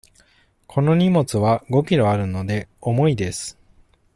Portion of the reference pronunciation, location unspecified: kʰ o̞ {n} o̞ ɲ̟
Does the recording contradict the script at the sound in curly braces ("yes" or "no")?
no